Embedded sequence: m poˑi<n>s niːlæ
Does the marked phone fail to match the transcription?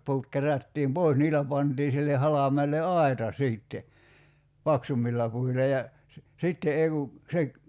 yes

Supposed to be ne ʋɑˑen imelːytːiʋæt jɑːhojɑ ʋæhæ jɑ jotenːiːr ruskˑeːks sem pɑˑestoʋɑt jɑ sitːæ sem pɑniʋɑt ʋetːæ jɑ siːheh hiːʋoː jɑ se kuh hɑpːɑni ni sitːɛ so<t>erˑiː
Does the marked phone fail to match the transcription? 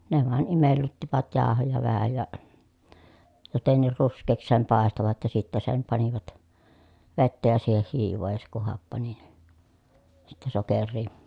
yes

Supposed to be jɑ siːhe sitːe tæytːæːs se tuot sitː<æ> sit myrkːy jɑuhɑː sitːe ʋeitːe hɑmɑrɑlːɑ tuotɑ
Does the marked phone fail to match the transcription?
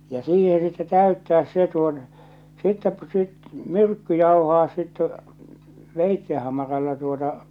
yes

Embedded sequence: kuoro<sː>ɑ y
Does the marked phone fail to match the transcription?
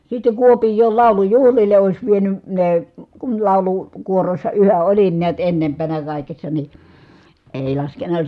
no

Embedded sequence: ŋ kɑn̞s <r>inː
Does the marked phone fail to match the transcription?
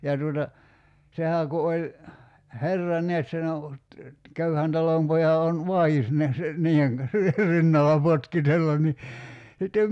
no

